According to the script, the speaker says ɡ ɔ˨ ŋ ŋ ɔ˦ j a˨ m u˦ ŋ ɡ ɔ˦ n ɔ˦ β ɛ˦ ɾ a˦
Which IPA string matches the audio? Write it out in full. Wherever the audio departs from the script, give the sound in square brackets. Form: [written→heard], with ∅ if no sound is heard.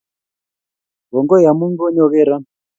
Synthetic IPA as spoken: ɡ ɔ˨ ŋ [ŋ→ɡ] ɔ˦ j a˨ m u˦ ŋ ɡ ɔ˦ [n→ɲ] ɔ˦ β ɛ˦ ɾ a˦

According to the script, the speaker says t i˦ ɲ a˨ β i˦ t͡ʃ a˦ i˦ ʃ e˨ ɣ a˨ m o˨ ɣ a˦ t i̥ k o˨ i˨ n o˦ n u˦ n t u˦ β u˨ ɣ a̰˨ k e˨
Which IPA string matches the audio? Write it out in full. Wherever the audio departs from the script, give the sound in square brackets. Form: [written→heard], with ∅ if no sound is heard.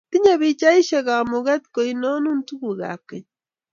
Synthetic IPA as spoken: t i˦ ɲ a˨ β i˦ t͡ʃ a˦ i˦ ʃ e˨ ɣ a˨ m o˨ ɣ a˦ t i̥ k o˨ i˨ n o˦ n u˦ n t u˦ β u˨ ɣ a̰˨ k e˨

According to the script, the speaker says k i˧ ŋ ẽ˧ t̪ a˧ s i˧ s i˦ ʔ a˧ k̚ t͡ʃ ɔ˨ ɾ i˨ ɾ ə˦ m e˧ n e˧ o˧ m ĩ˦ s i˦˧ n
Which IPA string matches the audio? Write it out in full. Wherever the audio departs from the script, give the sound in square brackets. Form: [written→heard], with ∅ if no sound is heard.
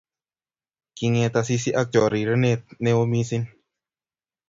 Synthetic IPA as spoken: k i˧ ŋ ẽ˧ t̪ a˧ s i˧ s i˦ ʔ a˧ k̚ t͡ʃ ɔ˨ ɾ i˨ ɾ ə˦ [m→n] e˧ n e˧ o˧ m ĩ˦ s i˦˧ n

